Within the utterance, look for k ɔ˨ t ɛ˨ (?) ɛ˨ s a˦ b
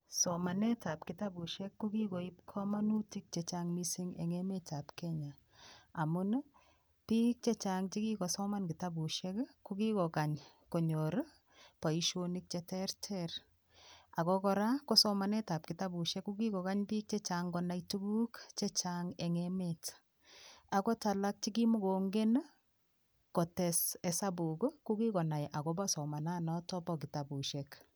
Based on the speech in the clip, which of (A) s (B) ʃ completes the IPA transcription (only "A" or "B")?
A